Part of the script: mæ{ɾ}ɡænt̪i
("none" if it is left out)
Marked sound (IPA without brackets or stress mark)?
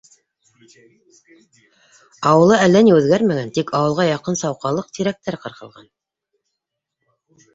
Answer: none